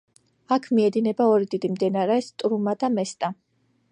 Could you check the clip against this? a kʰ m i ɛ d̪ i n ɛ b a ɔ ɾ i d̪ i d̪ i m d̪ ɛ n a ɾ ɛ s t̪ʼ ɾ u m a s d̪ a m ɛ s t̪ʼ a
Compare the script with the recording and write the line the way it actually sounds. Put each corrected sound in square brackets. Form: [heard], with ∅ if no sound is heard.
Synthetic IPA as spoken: a kʰ m i ɛ d̪ i n ɛ b a ɔ ɾ i d̪ i d̪ i m d̪ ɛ n a ɾ ɛ s t̪ʼ ɾ u m a [∅] d̪ a m ɛ s t̪ʼ a